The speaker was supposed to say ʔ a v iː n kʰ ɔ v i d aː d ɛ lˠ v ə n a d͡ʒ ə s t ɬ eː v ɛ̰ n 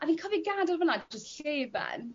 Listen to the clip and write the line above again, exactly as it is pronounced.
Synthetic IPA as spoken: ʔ a v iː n kʰ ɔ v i ɡ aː d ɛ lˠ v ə n a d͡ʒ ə s t ɬ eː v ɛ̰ n